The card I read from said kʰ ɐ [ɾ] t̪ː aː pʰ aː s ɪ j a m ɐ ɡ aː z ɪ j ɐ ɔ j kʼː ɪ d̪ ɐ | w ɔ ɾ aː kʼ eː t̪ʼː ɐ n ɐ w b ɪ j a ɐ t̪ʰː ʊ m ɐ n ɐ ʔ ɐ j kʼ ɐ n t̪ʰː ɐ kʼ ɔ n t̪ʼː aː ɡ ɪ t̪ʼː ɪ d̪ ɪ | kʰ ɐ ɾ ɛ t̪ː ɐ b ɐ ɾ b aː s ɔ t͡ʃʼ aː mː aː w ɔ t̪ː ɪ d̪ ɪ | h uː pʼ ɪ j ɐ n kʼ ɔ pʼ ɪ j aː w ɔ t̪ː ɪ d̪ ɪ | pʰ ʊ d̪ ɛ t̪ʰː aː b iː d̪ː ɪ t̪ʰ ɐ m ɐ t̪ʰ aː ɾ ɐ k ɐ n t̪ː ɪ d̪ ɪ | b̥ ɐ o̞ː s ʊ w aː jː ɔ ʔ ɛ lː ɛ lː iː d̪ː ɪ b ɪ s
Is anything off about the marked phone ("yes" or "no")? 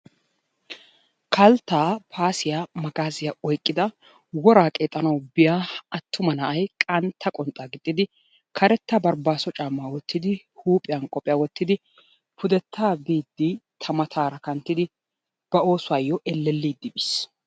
yes